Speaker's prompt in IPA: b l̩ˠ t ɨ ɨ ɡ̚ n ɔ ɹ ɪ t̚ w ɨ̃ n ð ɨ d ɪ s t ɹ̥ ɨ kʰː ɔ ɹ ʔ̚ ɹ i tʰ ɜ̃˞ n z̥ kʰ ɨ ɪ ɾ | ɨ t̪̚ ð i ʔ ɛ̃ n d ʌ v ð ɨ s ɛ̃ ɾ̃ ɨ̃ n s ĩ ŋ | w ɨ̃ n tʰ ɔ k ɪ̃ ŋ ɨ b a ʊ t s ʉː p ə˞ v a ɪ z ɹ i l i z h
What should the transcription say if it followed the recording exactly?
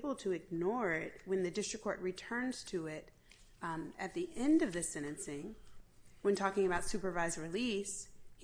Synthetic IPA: b l̩ˠ tʰ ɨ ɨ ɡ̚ n ɔ ɹ ɪ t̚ w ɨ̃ n ð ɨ d ɪ s t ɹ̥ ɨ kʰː ɔ ɹ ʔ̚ ɹ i tʰ ɜ̃˞ n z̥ tʰ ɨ ɪ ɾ | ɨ t̪̚ ð i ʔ ɛ̃ n d ʌ v ð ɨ s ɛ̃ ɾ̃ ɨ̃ n s ɪ̃ ŋ | w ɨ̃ n tʰ ɔ k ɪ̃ ŋ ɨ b a ʊ t s ʉ p ə˞ v a ɪ z ɹ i l i s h